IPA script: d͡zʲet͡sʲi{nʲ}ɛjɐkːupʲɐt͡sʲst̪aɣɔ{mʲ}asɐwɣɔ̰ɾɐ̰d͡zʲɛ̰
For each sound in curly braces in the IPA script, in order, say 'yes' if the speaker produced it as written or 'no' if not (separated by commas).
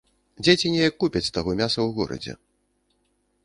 yes, yes